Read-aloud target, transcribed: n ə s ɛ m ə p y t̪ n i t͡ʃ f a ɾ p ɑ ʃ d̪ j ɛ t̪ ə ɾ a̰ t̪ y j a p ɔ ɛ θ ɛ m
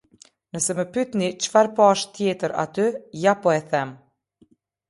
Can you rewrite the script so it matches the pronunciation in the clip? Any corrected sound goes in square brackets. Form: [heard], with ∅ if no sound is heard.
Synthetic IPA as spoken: n ə s ɛ m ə p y t̪ n i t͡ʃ f a ɾ p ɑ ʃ [t̪] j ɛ t̪ ə ɾ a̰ t̪ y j a p ɔ ɛ θ ɛ m

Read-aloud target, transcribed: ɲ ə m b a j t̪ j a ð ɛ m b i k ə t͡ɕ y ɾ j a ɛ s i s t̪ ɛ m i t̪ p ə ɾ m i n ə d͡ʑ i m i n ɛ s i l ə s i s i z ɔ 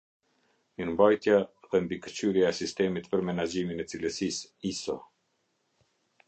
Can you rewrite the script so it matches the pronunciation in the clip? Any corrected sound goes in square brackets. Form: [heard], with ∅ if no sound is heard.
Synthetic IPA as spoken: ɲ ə m b a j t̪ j a ð ɛ m b i k ə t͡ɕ y ɾ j a ɛ s i s t̪ ɛ m i t̪ p ə ɾ m [ɛ] n [a] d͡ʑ i m i n ɛ [t͡s] i l ə s i s i [s] ɔ

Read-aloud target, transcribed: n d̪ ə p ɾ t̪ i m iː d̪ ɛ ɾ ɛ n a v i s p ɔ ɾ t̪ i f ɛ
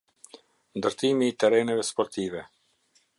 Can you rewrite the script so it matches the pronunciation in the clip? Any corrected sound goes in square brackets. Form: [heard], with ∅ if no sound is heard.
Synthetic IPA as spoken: n d̪ ə [∅] ɾ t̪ i m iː [t̪] ɛ ɾ ɛ n [ɛ] v [ɛ] s p ɔ ɾ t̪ i [v] ɛ

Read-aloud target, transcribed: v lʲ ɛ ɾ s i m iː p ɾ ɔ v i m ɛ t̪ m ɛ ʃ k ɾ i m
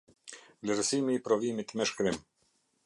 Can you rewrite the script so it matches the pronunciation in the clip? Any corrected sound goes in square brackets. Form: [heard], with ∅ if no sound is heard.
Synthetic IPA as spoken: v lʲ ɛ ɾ s i m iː p ɾ ɔ v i m [i] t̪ m ɛ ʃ k ɾ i m

